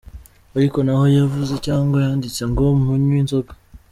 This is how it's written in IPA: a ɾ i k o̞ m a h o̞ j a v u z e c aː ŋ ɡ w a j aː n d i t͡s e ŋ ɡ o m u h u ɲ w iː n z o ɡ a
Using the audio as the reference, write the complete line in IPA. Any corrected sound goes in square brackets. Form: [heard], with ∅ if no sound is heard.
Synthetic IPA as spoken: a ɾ i k o̞ [n] a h o̞ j a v u z e c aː ŋ ɡ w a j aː n d i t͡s e ŋ ɡ o m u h u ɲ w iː n z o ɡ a